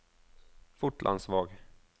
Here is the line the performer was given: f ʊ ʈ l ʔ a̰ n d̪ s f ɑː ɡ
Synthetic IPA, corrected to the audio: f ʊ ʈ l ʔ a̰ n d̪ s v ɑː ɡ